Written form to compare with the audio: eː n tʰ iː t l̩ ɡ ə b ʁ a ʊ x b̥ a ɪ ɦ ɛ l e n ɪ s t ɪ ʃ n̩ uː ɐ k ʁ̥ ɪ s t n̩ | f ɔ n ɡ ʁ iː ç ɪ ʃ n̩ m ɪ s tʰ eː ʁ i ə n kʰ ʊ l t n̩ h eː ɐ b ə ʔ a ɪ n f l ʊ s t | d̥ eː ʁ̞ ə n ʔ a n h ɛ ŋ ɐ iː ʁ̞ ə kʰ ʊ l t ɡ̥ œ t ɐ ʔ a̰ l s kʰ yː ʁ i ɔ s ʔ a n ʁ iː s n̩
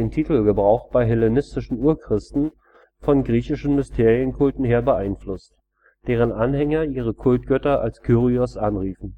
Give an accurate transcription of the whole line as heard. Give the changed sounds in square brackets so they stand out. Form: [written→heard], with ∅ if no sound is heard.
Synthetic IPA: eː n tʰ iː t l̩ ɡ ə b ʁ a ʊ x b̥ a ɪ ɦ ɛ l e n ɪ s t ɪ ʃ n̩ uː ɐ k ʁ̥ ɪ s t n̩ | f ɔ n ɡ ʁ iː ç ɪ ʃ n̩ m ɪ s tʰ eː ʁ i ə n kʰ ʊ l t n̩ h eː ɐ b ə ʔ a ɪ n f l ʊ s t | d̥ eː ʁ̞ ə n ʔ a n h ɛ ŋ ɐ iː ʁ̞ ə kʰ ʊ l t ɡ̥ œ t ɐ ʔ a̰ l s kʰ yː ʁ i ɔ s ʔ a n ʁ iː [s→f] n̩